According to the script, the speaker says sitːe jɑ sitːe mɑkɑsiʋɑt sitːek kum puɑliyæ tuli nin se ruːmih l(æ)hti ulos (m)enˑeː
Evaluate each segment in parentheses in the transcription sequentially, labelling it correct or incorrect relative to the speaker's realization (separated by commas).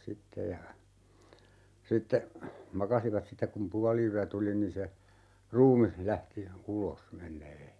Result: correct, correct